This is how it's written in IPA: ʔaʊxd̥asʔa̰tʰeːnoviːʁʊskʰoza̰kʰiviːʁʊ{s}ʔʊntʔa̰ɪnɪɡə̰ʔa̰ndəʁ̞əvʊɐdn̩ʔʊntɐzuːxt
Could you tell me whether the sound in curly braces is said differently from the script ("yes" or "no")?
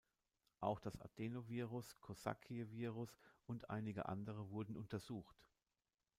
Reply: no